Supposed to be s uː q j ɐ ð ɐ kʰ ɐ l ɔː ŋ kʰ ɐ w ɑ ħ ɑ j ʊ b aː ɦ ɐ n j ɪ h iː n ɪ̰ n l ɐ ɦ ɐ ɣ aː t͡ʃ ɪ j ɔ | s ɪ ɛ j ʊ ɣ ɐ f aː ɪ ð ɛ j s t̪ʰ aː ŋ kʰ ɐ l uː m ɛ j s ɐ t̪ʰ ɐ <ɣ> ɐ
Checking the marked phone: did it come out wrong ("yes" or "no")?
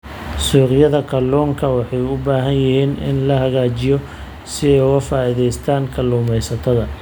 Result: yes